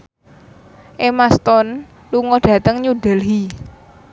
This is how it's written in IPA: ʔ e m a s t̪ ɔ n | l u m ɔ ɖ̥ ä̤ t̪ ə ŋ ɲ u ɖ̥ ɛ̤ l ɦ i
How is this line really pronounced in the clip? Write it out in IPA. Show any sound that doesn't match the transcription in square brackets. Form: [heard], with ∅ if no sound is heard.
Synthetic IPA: ʔ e m a s t̪ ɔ n | l u [ŋ] ɔ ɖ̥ ä̤ t̪ ə ŋ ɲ u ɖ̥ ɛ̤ l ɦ i

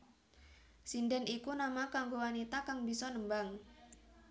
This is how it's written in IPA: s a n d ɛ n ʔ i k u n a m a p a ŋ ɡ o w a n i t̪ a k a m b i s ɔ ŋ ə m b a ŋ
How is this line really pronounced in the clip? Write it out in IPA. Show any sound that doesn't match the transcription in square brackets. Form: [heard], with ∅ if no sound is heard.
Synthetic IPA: s [i] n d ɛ n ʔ i k u n a m a [k] a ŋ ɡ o w a n i t̪ a k a [ŋ] b i s ɔ [n] ə m b a ŋ

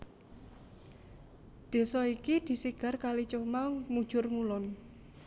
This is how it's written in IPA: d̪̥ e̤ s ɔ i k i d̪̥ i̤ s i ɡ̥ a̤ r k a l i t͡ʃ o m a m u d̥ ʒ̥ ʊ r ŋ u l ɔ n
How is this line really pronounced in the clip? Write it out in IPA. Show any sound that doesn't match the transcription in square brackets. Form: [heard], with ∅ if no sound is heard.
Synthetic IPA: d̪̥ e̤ s ɔ i k i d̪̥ i̤ s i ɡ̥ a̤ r k a l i t͡ʃ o m a m u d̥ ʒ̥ ʊ r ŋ u l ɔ n

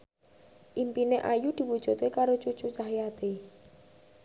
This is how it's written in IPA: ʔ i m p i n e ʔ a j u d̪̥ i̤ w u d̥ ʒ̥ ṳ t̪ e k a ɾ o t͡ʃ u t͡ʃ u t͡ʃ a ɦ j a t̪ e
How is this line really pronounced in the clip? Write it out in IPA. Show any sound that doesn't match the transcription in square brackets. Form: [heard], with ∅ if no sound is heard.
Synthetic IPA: ʔ i m p i n e ʔ a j u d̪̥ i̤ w u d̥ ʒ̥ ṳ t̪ e k a ɾ o t͡ʃ u t͡ʃ u t͡ʃ a ɦ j a t̪ e

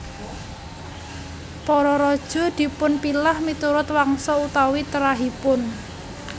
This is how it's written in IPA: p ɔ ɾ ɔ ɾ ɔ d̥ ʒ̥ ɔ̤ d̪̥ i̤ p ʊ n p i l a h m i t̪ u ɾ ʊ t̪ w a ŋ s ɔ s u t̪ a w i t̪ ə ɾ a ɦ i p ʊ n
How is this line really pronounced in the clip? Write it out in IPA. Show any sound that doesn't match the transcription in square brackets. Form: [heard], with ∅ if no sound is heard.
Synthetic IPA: p ɔ ɾ ɔ ɾ ɔ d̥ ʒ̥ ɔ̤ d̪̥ i̤ p ʊ n p i l a h m i t̪ u ɾ ʊ t̪ w a ŋ s ɔ [∅] u t̪ a w i t̪ ə ɾ a ɦ i p ʊ n

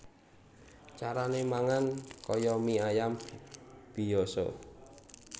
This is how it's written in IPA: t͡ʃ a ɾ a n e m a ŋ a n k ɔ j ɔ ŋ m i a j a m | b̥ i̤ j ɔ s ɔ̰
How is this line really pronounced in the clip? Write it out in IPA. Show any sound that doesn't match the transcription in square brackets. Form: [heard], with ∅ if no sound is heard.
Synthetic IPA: t͡ʃ a ɾ a n e m a ŋ a n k ɔ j ɔ [∅] m i a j a m | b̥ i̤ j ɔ s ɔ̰

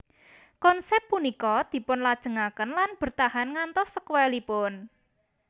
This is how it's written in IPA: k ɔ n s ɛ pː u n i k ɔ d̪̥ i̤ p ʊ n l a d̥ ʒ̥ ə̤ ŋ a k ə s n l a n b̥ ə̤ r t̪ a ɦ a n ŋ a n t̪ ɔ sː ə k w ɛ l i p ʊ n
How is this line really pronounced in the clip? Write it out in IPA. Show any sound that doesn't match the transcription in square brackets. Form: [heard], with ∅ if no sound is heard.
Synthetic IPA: k ɔ n s ɛ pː u n i k ɔ d̪̥ i̤ p ʊ n l a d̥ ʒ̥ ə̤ ŋ a k ə [∅] n l a n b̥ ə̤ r t̪ a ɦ a n ŋ a n t̪ ɔ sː ə k w ɛ l i p ʊ n

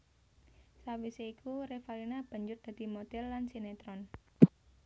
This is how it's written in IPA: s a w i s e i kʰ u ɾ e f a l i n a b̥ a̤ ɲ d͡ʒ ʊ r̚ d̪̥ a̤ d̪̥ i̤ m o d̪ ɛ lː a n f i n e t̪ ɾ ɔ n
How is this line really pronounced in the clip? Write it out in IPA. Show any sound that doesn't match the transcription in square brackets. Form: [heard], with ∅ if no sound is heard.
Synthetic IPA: s a w i s e i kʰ u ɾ e f a l i n a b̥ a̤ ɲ d͡ʒ ʊ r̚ d̪̥ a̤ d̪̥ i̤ m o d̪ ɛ lː a n [s] i n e t̪ ɾ ɔ n

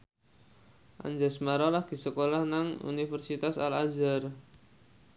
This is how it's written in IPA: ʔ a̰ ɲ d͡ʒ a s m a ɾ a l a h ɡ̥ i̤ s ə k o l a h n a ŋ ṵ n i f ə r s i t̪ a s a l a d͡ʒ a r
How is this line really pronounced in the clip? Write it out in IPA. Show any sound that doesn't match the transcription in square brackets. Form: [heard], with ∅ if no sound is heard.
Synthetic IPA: ʔ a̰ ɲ d͡ʒ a s m a ɾ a l a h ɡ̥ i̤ s ə k o l a h n a ŋ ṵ n i f ə r s i t̪ a s a l a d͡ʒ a r

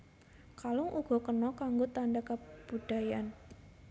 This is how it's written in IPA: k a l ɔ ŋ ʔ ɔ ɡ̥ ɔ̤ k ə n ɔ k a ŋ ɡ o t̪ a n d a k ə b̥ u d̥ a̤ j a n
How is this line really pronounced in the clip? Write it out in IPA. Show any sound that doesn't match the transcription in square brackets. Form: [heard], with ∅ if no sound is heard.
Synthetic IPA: k a l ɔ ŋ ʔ [u] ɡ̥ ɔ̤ k ə n ɔ k a ŋ ɡ o t̪ a n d a k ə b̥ u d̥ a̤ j a n

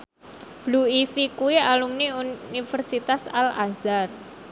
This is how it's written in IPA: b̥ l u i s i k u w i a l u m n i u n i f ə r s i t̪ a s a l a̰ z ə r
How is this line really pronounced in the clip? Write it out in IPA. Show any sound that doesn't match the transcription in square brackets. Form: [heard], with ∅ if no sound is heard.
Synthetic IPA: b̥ l u i [f] i k u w i a l u m n i u n i f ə r s i t̪ a s a l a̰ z [a] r

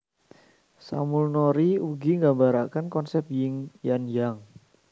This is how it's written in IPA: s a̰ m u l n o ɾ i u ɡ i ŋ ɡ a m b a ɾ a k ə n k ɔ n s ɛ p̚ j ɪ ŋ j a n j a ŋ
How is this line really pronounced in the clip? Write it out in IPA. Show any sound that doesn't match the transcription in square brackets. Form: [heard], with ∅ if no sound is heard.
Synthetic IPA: s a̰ m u l n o ɾ i u ɡ i ŋ ɡ a m b a ɾ a k [a] n k ɔ n s ɛ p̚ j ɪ ŋ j a n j a ŋ

